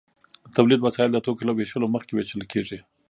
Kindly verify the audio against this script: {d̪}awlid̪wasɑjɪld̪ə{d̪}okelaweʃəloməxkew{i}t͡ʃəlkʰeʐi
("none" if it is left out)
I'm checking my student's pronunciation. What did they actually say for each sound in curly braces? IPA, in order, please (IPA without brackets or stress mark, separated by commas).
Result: t̪, t̪, e